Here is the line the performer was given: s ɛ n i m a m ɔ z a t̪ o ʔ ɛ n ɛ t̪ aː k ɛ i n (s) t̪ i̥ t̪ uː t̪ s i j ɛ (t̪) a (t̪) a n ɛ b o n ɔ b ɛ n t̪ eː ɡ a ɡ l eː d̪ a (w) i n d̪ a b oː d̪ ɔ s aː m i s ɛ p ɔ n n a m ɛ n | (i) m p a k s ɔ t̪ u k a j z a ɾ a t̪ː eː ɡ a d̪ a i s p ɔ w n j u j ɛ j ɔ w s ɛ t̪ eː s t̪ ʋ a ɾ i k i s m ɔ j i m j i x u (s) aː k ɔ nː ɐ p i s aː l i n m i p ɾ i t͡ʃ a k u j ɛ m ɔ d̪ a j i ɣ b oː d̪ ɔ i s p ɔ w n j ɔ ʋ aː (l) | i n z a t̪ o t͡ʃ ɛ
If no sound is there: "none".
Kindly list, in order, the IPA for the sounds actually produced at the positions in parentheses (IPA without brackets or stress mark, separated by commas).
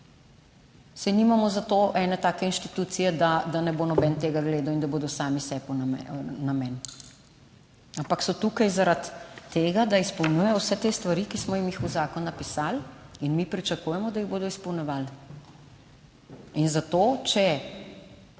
ʃ, d̪, d̪, w, a, z, l